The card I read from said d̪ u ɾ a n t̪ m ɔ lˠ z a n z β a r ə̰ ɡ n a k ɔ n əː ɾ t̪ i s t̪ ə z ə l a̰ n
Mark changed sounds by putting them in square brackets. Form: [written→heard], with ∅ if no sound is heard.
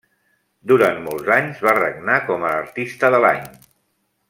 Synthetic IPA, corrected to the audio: d̪ u ɾ a n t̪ m ɔ lˠ z a [n→ɲ] z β a r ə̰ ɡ n a k ɔ [n→m] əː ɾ t̪ i s t̪ ə [z→ð] ə l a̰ [n→ɲ]

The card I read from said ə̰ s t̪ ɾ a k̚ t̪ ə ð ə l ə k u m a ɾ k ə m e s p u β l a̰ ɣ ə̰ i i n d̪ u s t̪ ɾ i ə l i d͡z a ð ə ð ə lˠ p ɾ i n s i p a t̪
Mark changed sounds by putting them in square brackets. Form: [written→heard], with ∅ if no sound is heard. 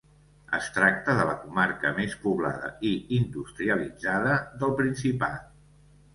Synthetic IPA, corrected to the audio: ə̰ s t̪ ɾ a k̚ t̪ ə ð ə l ə k u m a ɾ k ə m e s p u β l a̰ [ɣ→ð] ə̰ i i n d̪ u s t̪ ɾ i ə l i d͡z a ð ə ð ə lˠ p ɾ i n s i p a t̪

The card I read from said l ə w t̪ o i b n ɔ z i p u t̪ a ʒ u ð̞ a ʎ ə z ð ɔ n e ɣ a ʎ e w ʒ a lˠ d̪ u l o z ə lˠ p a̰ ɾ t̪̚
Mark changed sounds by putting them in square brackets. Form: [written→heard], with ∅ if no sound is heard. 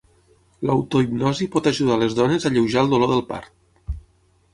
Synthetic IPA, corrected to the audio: l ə w t̪ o i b n ɔ z i p [u→ɔ] t̪ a ʒ u ð̞ a [ʎ→l] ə z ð ɔ n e [ɣ→z] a ʎ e w ʒ a lˠ d̪ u l o [z→ð] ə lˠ p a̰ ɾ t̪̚

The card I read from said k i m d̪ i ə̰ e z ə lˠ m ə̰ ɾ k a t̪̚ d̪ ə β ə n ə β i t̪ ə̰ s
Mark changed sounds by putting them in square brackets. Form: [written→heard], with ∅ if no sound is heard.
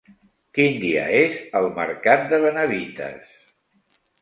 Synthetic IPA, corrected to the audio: k i [m→n] d̪ i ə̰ e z ə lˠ m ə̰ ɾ k a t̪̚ d̪ ə β ə n ə β i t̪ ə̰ s

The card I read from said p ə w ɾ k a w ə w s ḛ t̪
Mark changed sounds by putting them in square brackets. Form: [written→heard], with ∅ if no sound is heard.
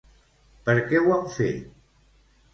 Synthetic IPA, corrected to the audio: p ə [w→∅] ɾ k [a→ɛ] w [ə→a] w [s→f] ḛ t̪

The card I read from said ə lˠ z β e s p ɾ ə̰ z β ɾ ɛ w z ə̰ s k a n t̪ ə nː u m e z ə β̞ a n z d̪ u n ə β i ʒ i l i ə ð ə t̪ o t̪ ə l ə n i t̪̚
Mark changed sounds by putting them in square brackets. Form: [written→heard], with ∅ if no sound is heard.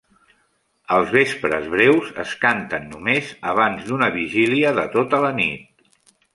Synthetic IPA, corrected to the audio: ə lˠ z β e s p ɾ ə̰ z β ɾ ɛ w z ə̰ s k a n t̪ ə nː u m e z ə β̞ a n z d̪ u n ə β i ʒ i l i ə ð ə t̪ o t̪ ə l ə n i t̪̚

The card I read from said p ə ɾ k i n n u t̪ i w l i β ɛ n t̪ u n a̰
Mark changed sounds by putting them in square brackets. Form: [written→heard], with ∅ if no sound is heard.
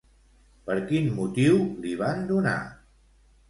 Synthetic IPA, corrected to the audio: p ə ɾ k i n [n→m] u t̪ i w l i β [ɛ→a] n [t̪→d̪] u n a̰

